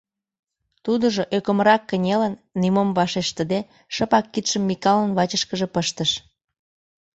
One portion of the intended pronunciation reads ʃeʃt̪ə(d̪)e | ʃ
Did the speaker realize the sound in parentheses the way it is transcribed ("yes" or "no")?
yes